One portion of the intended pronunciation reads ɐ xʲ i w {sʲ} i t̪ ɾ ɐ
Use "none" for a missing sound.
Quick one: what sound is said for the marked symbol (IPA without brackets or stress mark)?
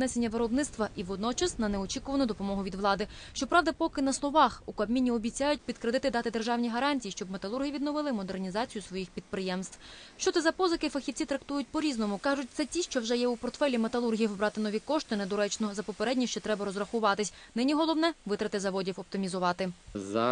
t͡sʲ